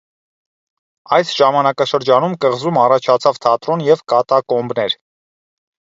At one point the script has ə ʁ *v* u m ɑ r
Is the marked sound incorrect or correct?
incorrect